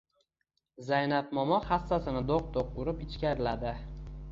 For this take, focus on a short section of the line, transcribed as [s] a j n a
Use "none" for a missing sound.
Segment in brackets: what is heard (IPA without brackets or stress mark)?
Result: z